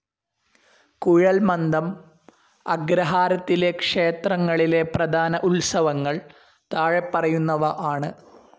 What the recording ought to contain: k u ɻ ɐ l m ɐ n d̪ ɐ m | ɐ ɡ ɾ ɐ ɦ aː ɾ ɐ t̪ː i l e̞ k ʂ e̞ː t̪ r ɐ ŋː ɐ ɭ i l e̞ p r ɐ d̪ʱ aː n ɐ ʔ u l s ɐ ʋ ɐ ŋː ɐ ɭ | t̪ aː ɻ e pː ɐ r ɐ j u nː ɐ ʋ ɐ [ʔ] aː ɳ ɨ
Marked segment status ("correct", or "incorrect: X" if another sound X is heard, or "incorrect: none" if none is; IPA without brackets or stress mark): correct